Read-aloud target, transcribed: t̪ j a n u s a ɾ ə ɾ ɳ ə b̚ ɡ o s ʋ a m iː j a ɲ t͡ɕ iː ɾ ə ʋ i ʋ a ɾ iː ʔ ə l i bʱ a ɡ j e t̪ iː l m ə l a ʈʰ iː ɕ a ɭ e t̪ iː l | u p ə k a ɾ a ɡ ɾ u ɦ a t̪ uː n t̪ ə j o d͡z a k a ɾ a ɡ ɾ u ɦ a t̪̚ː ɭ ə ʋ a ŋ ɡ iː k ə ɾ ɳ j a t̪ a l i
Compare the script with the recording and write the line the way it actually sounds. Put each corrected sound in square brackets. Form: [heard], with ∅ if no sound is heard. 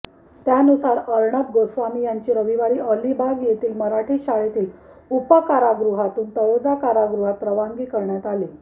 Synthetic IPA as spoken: t̪ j a n u s a ɾ ə ɾ ɳ ə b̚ ɡ o s ʋ a m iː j a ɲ t͡ɕ iː ɾ ə ʋ i ʋ a ɾ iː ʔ ə l i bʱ a ɡ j e t̪ iː l m ə [ɾ] a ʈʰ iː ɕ a ɭ e t̪ iː l | u p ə k a ɾ a ɡ ɾ u ɦ a t̪ uː n t̪ ə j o d͡z a k a ɾ a ɡ ɾ u ɦ a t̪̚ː [ɾ] ə ʋ a ŋ ɡ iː k ə ɾ ɳ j a t̪ a l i